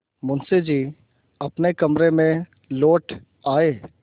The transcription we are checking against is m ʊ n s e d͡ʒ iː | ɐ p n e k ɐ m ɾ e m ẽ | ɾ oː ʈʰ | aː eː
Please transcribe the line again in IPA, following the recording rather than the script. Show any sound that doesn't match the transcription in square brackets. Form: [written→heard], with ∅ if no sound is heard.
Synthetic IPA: m ʊ n s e d͡ʒ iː | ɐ p n e k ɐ m ɾ e m ẽ | [ɾ→l] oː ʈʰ | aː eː